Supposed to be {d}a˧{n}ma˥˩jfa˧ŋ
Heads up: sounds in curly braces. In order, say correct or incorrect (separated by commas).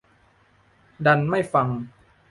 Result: correct, correct